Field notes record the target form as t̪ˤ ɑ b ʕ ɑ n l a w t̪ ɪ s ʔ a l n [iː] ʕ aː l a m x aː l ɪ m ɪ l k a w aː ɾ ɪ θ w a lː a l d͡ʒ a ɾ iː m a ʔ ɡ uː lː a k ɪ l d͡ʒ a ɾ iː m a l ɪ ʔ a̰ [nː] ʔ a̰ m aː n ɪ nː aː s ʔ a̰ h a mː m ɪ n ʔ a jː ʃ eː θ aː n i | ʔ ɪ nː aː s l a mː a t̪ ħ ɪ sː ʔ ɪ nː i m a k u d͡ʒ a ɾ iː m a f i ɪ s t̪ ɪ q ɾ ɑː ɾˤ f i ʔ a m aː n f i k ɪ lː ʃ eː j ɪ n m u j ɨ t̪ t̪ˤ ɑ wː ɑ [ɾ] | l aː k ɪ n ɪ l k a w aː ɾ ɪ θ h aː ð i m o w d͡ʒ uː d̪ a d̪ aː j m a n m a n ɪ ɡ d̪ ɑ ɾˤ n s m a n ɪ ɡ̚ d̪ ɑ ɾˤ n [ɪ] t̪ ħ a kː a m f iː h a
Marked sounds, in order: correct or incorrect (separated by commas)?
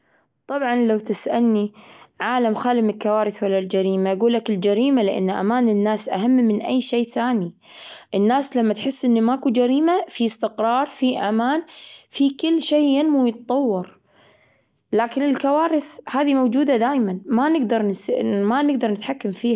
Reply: incorrect, correct, correct, correct